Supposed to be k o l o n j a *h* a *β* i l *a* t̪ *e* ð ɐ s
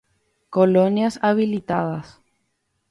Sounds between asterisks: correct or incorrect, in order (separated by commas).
incorrect, correct, incorrect, incorrect